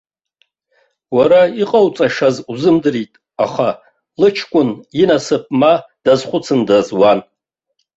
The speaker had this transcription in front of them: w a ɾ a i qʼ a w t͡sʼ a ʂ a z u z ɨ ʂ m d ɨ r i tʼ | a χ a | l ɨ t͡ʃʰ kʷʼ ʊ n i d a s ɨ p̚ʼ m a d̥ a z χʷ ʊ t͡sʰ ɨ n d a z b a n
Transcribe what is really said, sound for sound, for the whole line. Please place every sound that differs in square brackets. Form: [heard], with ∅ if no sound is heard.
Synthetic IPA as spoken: w a ɾ a i qʼ a w t͡sʼ a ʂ a z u z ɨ [∅] m d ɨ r i tʼ | a χ a | l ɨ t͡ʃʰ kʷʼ ʊ n i [n] a s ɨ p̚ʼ m a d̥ a z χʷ ʊ t͡sʰ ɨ n d a z [w] a n